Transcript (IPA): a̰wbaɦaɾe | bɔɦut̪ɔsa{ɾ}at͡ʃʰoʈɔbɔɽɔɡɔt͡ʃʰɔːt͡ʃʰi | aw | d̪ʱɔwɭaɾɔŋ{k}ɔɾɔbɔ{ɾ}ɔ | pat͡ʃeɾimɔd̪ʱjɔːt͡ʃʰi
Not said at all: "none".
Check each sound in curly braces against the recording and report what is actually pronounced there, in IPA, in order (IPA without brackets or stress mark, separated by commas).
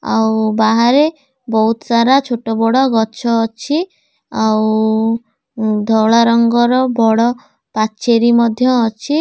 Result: ɾ, ɡ, ɽ